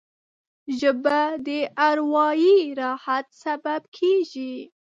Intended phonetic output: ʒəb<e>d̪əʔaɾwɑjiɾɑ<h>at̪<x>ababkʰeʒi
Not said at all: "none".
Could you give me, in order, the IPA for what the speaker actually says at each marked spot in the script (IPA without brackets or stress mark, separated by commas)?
a, h, s